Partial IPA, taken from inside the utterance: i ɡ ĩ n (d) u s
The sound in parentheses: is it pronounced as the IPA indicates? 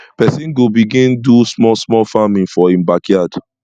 yes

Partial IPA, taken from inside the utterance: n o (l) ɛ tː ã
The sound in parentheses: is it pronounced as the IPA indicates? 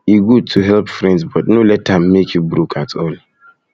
yes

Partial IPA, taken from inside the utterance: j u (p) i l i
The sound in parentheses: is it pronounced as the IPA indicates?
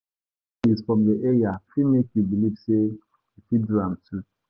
no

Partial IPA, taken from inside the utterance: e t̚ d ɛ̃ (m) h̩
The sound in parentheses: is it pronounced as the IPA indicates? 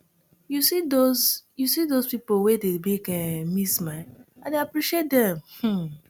yes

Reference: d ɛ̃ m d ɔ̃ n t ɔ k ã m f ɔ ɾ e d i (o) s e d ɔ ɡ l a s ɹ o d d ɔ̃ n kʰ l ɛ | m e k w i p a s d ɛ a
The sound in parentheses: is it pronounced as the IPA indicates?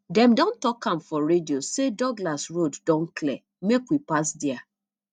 yes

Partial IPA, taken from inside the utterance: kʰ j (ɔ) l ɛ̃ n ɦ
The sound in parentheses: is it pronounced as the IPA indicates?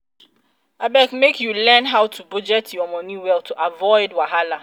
no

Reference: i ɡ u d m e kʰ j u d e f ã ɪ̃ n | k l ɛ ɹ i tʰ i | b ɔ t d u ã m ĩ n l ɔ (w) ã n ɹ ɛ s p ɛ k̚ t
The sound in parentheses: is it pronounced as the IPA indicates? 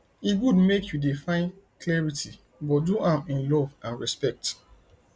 no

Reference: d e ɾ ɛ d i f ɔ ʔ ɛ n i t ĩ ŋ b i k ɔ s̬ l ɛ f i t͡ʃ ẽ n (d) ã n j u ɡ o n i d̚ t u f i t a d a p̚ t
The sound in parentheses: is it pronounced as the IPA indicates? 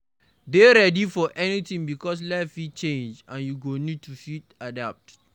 no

